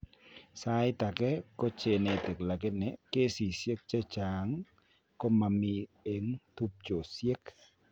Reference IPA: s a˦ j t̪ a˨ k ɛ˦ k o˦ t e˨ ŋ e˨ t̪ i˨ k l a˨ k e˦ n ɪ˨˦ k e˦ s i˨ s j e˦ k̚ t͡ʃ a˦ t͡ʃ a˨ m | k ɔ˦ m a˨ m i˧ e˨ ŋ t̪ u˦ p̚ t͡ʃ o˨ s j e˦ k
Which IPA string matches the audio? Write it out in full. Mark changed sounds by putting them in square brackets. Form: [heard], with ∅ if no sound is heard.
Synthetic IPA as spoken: s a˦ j t̪ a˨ k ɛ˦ k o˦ [t͡ʃ] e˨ [n] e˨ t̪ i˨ k l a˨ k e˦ n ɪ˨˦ k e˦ s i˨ s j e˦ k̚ t͡ʃ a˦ t͡ʃ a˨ [ŋ] | k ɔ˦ m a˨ m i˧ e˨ ŋ t̪ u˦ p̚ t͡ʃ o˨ s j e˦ k